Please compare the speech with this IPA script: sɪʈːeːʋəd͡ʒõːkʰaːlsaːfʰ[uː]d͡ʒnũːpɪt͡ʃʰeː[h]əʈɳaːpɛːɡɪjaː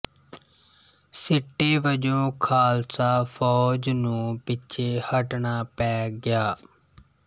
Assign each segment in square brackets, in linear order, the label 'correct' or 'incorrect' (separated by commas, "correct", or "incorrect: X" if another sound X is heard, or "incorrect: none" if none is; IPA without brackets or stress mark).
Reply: incorrect: ɔː, correct